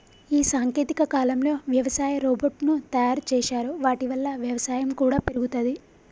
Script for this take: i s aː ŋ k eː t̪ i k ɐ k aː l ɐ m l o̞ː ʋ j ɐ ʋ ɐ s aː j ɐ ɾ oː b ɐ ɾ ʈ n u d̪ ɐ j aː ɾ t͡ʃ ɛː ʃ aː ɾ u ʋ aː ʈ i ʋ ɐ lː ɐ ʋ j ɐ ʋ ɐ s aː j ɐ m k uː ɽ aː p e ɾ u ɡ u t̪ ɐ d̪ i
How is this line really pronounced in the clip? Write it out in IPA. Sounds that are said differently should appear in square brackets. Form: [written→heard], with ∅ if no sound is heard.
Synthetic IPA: [i→iː] s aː ŋ k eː t̪ i k ɐ k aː l ɐ m l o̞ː ʋ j ɐ ʋ ɐ s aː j ɐ ɾ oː b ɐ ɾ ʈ n u [d̪→t̪] ɐ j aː ɾ t͡ʃ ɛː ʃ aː ɾ u ʋ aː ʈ i ʋ ɐ lː ɐ ʋ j ɐ ʋ ɐ s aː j ɐ m k uː ɽ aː p e ɾ u ɡ u t̪ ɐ d̪ i